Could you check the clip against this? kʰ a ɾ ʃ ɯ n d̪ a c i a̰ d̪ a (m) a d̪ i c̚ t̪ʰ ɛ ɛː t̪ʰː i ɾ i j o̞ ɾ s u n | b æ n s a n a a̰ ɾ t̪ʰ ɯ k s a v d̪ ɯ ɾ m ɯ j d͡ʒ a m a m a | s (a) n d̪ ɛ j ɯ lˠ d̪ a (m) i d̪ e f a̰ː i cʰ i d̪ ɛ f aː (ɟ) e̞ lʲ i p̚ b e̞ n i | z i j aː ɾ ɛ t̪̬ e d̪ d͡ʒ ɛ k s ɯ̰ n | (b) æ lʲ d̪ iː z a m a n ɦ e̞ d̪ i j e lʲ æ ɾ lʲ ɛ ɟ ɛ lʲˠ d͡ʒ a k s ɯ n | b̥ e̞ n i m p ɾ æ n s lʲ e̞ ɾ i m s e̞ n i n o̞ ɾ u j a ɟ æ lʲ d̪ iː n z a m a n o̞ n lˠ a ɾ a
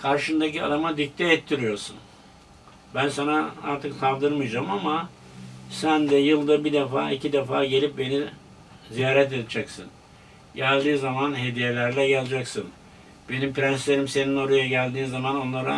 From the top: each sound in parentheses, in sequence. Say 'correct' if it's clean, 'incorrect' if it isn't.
correct, incorrect, incorrect, correct, incorrect

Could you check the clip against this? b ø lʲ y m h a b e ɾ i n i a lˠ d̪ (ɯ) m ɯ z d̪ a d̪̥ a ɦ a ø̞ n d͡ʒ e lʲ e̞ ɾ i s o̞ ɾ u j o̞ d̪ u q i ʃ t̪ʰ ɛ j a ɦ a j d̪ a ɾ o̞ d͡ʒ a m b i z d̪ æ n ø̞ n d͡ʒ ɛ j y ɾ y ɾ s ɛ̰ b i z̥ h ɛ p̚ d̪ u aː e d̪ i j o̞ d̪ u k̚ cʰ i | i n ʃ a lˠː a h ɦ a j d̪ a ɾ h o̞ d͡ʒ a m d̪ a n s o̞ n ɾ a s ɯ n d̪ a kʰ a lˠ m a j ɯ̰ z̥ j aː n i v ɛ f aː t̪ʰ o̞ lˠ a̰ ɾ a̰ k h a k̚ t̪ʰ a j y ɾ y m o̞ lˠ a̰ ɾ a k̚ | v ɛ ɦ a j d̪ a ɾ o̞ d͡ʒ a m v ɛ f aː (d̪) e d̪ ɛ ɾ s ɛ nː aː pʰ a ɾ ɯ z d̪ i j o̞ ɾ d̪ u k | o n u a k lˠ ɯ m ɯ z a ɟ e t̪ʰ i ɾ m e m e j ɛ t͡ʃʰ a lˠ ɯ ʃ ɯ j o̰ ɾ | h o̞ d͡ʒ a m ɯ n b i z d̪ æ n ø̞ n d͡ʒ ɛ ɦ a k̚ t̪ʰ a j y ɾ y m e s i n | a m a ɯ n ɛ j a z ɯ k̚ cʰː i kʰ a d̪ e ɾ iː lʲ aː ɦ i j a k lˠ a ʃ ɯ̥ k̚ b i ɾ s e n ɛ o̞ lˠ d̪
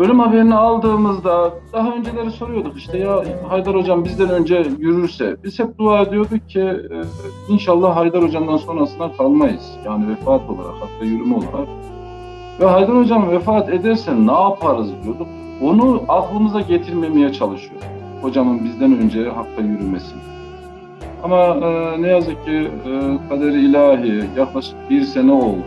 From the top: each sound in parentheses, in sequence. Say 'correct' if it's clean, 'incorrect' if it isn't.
incorrect, incorrect

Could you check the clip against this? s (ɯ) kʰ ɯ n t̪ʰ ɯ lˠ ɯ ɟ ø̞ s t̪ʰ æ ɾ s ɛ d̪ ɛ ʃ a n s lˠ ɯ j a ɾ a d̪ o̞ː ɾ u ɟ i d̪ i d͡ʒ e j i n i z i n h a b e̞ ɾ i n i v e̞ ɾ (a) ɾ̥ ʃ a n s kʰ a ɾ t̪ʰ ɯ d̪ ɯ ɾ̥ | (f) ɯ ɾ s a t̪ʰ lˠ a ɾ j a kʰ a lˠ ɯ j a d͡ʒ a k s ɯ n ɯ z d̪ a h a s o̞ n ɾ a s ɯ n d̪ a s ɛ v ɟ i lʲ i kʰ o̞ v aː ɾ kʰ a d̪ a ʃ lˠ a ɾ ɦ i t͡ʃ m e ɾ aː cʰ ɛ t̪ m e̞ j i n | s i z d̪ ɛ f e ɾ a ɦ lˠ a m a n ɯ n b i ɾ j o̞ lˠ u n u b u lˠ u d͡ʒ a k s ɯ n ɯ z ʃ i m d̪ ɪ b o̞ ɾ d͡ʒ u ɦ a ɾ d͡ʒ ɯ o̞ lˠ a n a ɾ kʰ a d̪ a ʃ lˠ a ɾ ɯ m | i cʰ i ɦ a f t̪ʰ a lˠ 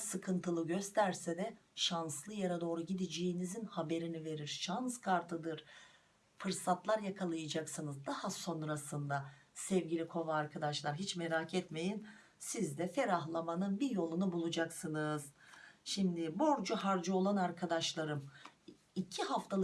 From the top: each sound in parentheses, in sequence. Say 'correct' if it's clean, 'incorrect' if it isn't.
correct, incorrect, correct

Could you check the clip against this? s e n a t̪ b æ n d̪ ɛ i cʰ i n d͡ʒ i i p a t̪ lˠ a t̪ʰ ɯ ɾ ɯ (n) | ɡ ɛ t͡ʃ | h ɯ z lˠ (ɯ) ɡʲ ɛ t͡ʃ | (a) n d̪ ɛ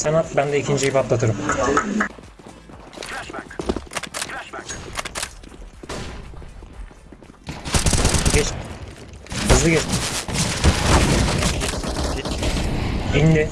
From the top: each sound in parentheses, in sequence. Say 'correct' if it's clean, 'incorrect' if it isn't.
incorrect, correct, incorrect

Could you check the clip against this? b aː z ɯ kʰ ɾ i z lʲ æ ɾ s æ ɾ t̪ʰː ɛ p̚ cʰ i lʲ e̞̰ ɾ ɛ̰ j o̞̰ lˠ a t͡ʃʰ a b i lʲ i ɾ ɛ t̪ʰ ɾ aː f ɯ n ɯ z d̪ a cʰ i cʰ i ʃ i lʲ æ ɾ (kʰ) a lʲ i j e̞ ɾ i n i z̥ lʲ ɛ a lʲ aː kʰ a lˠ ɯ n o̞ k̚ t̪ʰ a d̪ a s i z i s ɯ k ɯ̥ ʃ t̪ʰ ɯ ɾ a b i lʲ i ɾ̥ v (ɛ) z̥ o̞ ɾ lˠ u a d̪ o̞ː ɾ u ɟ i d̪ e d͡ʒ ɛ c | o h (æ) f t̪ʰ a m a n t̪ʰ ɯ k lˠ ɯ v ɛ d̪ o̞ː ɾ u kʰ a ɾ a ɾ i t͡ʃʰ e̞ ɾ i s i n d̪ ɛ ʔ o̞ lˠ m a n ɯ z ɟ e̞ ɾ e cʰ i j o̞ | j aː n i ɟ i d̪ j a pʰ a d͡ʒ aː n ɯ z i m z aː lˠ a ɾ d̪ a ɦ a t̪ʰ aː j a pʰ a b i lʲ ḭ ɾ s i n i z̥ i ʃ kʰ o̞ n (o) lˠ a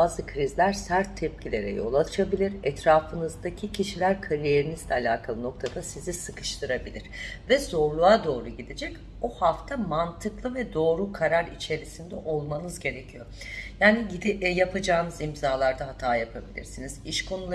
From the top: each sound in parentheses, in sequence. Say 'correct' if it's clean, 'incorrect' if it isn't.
correct, correct, incorrect, incorrect

